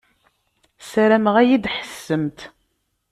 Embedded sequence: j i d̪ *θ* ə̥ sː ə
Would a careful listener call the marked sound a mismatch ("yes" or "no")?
yes